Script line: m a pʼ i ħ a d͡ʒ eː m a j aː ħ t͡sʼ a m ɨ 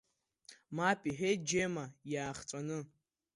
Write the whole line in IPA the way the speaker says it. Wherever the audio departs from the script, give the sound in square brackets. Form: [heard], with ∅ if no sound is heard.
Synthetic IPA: m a pʼ i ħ [e] d͡ʒ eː m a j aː [χ] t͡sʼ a [n] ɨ